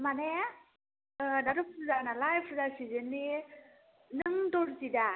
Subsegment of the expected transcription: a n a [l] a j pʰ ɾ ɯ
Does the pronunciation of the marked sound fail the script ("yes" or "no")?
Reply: no